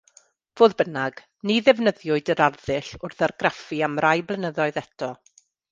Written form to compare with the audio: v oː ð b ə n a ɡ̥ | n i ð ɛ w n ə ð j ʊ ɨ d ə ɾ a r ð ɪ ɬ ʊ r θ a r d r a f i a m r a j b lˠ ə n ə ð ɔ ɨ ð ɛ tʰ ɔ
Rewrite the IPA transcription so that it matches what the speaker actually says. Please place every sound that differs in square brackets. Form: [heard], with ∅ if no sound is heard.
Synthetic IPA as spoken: v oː ð b ə n a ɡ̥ | n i ð ɛ [v] n ə ð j ʊ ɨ d ə ɾ a r ð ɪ ɬ ʊ r θ a r [ɡ] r a f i a m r a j b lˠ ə n ə ð ɔ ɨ ð ɛ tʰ ɔ